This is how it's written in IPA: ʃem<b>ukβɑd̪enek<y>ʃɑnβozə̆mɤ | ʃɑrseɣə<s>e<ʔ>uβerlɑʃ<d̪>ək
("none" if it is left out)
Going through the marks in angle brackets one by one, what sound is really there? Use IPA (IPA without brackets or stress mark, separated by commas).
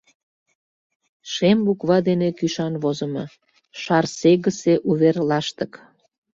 b, y, s, ʔ, t̪